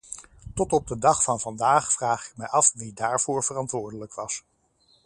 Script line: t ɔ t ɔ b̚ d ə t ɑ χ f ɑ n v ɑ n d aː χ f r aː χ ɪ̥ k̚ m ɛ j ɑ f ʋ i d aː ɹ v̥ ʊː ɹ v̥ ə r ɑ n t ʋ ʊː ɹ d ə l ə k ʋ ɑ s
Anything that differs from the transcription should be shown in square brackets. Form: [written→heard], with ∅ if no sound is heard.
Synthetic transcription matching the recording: t ɔ t ɔ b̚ d ə [t→d] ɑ χ f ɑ n v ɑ n d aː χ f r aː χ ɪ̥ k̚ m ɛ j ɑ f ʋ i d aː ɹ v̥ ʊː ɹ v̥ ə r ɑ n t ʋ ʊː ɹ d ə l ə k ʋ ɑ s